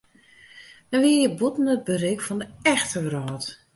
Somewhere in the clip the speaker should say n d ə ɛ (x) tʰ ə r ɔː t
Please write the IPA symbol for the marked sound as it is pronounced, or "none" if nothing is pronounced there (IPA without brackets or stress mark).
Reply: x